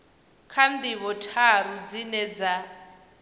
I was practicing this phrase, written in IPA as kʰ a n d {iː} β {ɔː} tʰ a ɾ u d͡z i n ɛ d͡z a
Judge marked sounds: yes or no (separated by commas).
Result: no, no